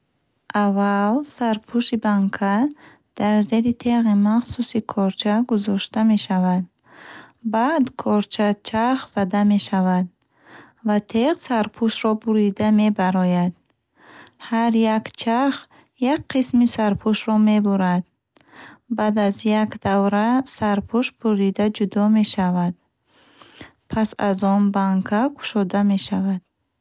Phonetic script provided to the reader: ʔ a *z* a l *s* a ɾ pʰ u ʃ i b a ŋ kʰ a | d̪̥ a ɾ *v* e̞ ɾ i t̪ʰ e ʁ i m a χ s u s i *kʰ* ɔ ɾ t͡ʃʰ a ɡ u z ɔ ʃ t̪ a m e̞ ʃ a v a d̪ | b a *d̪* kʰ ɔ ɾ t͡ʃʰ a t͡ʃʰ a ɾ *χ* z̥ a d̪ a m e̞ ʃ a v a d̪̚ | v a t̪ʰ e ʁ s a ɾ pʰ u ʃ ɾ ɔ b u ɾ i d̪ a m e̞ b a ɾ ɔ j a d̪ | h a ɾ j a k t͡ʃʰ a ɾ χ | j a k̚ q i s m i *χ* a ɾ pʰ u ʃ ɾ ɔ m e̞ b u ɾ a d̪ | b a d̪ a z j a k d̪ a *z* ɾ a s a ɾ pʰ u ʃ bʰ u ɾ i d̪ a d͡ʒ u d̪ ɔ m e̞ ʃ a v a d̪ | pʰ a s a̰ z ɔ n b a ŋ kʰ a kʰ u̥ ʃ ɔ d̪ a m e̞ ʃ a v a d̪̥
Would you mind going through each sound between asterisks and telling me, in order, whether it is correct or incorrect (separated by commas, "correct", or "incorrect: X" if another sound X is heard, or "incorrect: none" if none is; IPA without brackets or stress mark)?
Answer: incorrect: v, correct, incorrect: z, correct, correct, correct, incorrect: s, incorrect: v